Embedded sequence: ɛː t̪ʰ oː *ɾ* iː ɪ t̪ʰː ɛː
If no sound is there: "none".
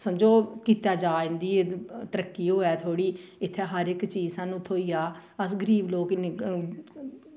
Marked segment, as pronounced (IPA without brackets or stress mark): ɽ